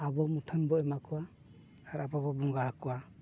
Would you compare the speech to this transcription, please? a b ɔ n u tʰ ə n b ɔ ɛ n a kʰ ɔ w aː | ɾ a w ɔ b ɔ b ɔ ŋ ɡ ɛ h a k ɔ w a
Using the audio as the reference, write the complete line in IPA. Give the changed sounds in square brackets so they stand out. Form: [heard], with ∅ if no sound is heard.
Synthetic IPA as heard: a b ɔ [m] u tʰ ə n b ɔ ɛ [m] a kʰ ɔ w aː | ɾ a [b] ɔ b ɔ b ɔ ŋ ɡ [a] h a k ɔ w a